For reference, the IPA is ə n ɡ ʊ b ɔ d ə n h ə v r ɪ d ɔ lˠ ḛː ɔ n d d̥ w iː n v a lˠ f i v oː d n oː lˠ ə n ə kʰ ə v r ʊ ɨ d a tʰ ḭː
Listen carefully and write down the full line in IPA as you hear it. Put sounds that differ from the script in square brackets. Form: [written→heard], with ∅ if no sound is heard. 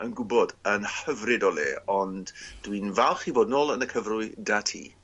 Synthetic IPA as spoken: ə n ɡ ʊ b ɔ d ə n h ə v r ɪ d ɔ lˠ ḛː ɔ n d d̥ w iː n v a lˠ [f→χ] i v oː d n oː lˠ ə n ə kʰ ə v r ʊ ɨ d a tʰ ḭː